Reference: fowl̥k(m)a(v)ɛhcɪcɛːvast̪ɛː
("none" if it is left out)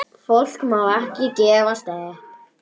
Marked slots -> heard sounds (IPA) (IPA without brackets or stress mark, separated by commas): m, w